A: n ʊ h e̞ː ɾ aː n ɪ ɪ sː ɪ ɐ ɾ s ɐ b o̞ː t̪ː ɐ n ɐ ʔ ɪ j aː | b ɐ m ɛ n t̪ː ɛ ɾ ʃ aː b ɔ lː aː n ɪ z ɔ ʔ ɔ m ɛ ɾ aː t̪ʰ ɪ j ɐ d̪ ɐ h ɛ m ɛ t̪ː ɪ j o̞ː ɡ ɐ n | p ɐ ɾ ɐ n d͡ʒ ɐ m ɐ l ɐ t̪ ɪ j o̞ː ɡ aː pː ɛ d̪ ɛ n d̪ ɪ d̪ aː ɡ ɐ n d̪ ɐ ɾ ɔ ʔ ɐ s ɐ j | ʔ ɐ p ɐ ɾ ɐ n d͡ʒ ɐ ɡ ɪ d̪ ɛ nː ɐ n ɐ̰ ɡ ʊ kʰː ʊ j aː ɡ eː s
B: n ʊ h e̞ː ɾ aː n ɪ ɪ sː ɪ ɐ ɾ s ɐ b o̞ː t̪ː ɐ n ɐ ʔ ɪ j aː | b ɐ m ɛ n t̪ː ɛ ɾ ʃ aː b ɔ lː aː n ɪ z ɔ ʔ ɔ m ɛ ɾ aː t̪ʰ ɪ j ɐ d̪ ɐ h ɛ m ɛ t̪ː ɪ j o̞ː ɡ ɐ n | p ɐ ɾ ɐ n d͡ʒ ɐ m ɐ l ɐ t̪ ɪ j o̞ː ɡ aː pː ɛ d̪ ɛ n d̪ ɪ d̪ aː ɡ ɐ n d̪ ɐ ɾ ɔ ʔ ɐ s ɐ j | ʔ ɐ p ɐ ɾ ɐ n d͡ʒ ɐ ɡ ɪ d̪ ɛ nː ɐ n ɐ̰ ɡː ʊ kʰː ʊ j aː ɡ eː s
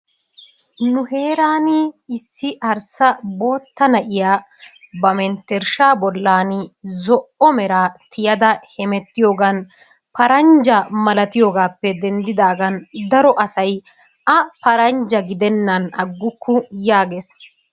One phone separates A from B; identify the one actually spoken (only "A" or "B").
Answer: B